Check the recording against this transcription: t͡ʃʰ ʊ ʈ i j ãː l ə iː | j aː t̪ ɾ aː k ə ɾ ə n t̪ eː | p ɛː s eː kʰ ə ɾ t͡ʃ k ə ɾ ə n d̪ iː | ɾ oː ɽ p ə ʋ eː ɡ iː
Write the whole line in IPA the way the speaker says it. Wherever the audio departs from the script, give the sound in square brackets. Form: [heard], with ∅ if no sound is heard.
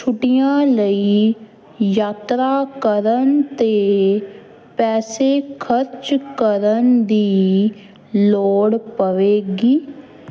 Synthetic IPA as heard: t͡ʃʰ ʊ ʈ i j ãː l ə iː | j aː t̪ ɾ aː k ə ɾ ə n t̪ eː | p ɛː s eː kʰ ə ɾ t͡ʃ k ə ɾ ə n d̪ iː | [l] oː ɽ p ə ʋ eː ɡ iː

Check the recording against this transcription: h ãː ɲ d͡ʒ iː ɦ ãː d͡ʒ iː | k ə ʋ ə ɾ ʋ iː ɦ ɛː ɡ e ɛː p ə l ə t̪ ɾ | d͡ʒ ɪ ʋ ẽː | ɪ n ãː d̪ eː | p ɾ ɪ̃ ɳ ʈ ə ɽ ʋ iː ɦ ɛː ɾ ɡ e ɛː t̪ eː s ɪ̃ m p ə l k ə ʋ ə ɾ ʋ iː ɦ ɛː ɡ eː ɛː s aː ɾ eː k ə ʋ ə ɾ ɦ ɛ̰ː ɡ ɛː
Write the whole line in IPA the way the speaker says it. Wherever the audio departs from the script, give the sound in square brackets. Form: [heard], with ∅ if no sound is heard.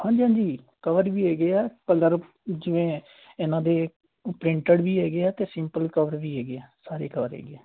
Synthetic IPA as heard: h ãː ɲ d͡ʒ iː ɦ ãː d͡ʒ iː | k ə ʋ ə ɾ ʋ iː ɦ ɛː ɡ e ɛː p ə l ə [∅] ɾ | d͡ʒ ɪ ʋ ẽː | ɪ n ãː d̪ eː | p ɾ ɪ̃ ɳ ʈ ə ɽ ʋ iː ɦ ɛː [∅] ɡ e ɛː t̪ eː s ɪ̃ m p ə l k ə ʋ ə ɾ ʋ iː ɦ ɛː ɡ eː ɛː s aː ɾ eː k ə ʋ ə ɾ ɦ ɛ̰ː ɡ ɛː

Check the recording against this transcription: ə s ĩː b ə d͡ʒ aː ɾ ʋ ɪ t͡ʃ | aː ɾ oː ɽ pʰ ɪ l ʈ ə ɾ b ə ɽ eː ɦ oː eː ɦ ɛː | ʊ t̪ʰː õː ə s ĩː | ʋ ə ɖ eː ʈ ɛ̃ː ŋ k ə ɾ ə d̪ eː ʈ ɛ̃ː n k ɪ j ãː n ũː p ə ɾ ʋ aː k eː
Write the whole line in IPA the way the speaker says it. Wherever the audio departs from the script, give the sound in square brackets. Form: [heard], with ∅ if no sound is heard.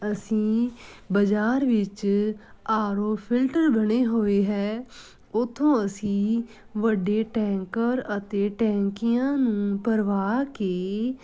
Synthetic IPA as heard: ə s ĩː b ə d͡ʒ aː ɾ ʋ ɪ t͡ʃ | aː ɾ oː [∅] pʰ ɪ l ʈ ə ɾ b ə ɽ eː ɦ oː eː ɦ ɛː | ʊ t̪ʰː õː ə s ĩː | ʋ ə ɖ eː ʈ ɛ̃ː ŋ k ə ɾ ə [t̪] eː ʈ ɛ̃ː [ŋ] k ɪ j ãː n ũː p ə ɾ ʋ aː k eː

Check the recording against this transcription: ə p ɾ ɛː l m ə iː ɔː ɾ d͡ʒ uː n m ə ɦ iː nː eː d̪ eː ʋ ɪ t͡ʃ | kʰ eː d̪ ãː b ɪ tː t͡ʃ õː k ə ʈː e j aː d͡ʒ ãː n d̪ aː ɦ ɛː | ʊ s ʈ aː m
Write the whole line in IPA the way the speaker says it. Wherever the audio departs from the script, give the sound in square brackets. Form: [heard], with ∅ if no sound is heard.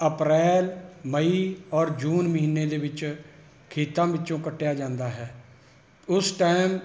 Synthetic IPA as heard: ə p ɾ ɛː l m ə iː ɔː ɾ d͡ʒ uː n m ə ɦ iː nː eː d̪ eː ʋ ɪ t͡ʃ | kʰ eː [t̪] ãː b ɪ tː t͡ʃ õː k ə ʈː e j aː d͡ʒ ãː n d̪ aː ɦ ɛː | ʊ s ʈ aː m

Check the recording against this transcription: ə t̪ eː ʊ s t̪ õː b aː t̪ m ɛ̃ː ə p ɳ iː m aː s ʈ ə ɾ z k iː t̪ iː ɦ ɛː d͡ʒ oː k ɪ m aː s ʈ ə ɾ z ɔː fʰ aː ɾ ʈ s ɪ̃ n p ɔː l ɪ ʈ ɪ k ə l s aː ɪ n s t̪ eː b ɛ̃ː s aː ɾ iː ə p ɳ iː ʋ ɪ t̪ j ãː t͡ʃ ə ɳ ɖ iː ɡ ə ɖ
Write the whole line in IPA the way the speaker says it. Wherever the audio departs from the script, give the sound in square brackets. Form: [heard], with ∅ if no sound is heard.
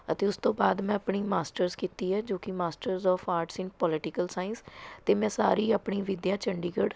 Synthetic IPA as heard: ə t̪ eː ʊ s t̪ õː b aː [d̪] m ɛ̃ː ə p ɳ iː m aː s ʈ ə ɾ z k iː t̪ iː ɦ ɛː d͡ʒ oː k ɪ m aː s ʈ ə ɾ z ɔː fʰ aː ɾ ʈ s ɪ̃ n p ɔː l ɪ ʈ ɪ k ə l s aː ɪ n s t̪ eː [m] ɛ̃ː s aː ɾ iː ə p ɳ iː ʋ ɪ [d̪] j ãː t͡ʃ ə ɳ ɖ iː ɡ ə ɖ

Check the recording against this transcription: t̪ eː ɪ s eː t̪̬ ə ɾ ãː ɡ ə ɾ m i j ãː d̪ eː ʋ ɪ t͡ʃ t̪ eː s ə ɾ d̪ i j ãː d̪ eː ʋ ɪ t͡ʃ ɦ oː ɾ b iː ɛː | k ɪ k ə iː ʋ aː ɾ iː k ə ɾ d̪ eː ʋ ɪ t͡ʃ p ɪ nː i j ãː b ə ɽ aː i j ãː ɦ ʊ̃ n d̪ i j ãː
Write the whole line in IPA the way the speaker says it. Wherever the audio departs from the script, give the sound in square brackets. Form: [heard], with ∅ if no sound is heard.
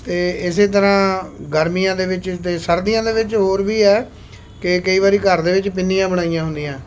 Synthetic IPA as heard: t̪ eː ɪ s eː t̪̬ ə ɾ ãː ɡ ə ɾ m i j ãː d̪ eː ʋ ɪ t͡ʃ t̪ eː s ə ɾ d̪ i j ãː d̪ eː ʋ ɪ t͡ʃ ɦ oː ɾ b iː ɛː | k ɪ k ə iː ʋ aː ɾ iː k ə ɾ d̪ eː ʋ ɪ t͡ʃ p ɪ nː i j ãː b ə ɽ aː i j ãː ɦ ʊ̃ n d̪ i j ãː

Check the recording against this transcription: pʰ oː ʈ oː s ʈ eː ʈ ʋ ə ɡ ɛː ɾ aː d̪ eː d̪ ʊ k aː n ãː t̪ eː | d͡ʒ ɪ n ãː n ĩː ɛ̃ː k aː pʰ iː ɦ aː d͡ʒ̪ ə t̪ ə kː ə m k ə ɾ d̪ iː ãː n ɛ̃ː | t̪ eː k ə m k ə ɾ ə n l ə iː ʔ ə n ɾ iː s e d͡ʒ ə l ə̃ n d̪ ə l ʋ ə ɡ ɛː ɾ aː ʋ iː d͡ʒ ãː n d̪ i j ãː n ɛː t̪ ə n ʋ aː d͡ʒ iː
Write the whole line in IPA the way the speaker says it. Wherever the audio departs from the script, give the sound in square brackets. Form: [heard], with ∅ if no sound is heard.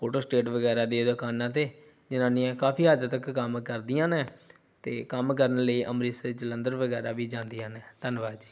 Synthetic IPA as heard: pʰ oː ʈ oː s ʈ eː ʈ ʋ ə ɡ ɛː ɾ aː d̪ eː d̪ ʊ k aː n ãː t̪ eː | d͡ʒ ɪ n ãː n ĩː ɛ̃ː k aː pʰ iː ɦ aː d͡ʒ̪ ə t̪ ə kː ə m k ə ɾ d̪ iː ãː n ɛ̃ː | t̪ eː k ə m k ə ɾ ə n l ə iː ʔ ə [m] ɾ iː s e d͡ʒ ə l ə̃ n d̪ ə [ɾ] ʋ ə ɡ ɛː ɾ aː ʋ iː d͡ʒ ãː n d̪ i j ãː n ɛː t̪ ə n ʋ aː d͡ʒ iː

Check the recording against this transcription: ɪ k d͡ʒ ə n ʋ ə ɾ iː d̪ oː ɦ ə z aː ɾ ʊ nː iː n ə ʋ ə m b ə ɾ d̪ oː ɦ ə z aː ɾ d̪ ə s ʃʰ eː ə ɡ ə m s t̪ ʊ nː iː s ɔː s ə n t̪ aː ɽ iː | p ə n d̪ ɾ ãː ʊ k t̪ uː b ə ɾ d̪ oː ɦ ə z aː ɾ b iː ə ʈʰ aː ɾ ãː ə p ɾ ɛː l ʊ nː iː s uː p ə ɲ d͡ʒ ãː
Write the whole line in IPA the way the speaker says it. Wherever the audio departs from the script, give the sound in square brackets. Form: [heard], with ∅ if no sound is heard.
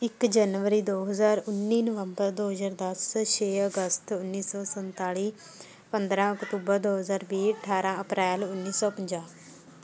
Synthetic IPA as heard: ɪ k d͡ʒ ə n ʋ ə ɾ iː d̪ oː ɦ ə z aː ɾ ʊ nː iː n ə ʋ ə m b ə ɾ d̪ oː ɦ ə z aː ɾ d̪ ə s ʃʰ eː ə ɡ ə [∅] s t̪ ʊ nː iː s ɔː s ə n t̪ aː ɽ iː | p ə n d̪ ɾ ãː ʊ k t̪ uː b ə ɾ d̪ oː ɦ ə z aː ɾ b iː ə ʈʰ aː ɾ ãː ə p ɾ ɛː l ʊ nː iː s [ɔː] p ə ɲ d͡ʒ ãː

